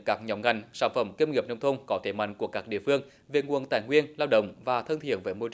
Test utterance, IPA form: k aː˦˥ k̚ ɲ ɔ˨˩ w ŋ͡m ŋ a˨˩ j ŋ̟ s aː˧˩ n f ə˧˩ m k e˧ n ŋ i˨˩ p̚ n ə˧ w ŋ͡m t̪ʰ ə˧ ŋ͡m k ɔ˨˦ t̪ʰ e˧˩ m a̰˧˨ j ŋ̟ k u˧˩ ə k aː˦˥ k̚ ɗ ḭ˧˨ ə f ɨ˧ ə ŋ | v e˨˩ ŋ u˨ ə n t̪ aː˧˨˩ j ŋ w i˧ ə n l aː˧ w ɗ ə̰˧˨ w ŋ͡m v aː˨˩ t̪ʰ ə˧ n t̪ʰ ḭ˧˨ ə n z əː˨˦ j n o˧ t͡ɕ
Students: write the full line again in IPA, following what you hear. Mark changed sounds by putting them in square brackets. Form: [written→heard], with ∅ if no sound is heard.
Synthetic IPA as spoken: k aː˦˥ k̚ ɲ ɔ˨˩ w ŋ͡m ŋ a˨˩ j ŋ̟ s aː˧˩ n f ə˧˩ m k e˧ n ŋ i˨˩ p̚ n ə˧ w ŋ͡m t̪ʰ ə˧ ŋ͡m k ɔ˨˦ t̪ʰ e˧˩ m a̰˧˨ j ŋ̟ k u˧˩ ə k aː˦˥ k̚ ɗ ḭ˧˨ ə f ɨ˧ ə ŋ | v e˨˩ ŋ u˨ ə n t̪ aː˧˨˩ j ŋ w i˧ ə n l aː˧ w ɗ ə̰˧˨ w ŋ͡m v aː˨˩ t̪ʰ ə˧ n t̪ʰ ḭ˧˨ ə n [z→v] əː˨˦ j [n→m] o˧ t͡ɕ